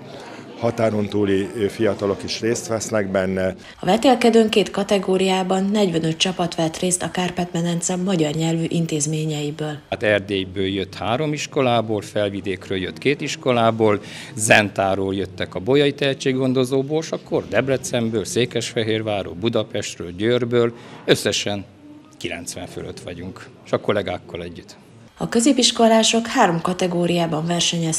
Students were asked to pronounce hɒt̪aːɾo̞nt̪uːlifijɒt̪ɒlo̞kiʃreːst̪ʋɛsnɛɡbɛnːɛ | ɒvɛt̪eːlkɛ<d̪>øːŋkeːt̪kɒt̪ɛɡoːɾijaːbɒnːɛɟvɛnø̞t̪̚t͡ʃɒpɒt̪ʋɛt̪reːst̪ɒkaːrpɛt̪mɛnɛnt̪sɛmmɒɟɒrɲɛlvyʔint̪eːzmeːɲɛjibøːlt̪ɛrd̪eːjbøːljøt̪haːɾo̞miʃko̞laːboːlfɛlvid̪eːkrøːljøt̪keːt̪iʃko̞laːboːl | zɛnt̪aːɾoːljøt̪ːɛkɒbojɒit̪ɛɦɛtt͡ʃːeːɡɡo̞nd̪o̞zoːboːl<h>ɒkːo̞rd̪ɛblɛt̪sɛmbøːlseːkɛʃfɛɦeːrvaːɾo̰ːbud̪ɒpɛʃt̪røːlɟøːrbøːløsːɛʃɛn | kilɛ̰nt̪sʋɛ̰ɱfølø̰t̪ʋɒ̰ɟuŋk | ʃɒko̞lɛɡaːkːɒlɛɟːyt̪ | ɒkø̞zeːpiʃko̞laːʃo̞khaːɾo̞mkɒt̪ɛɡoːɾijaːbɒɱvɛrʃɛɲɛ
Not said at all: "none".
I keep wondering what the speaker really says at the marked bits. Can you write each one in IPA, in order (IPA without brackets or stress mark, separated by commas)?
d̪, ʃ